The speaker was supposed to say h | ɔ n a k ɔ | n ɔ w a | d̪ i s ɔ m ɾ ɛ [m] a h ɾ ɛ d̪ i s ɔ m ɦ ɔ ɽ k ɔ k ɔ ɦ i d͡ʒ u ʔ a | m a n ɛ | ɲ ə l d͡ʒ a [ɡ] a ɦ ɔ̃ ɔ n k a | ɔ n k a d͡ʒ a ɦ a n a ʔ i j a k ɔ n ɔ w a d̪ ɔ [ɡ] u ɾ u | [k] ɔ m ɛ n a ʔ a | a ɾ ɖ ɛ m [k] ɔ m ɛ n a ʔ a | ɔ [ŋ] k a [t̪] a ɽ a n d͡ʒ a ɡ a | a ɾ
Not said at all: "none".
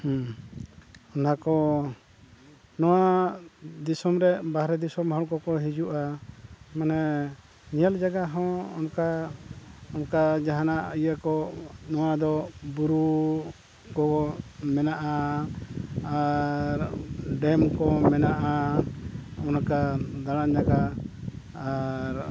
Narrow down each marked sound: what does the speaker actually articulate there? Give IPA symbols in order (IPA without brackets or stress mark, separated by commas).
b, ɡ, b, k, k, n, d̪